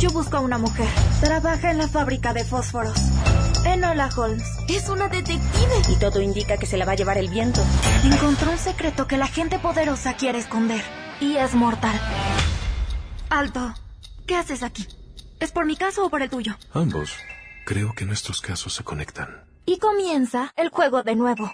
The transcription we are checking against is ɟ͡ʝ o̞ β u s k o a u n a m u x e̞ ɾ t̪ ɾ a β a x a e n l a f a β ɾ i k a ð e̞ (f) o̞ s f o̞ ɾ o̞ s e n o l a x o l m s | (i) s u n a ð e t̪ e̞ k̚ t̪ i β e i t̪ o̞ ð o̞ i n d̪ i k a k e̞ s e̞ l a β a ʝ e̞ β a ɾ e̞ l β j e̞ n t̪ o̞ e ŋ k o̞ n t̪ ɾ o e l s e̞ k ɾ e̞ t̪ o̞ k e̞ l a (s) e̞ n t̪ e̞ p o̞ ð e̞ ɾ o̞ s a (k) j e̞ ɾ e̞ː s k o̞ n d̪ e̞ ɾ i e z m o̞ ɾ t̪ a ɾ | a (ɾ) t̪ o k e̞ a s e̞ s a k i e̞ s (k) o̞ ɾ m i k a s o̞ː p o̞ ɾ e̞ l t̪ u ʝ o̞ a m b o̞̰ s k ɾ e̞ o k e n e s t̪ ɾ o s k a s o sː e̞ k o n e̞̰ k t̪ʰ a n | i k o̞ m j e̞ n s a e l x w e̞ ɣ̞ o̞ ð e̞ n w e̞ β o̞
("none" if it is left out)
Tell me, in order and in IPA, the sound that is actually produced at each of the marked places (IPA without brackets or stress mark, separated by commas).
f, e, x, k, l, p